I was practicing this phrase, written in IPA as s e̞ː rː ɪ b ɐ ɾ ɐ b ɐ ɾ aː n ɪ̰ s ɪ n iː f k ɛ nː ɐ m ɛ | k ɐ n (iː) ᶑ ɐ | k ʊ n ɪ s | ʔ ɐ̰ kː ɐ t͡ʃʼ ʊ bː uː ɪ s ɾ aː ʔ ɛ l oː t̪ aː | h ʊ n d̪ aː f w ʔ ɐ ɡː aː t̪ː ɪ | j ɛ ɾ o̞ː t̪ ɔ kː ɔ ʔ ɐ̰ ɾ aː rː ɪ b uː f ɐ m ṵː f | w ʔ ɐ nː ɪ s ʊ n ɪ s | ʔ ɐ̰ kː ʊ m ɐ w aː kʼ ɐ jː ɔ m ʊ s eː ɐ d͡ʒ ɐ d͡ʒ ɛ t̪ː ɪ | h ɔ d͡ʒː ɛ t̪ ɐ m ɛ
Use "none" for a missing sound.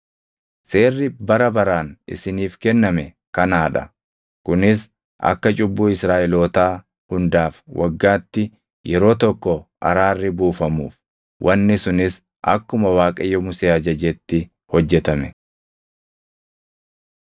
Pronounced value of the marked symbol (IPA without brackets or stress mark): aː